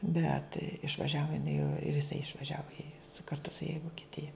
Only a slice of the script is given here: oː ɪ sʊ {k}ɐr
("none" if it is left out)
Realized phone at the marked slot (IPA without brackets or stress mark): k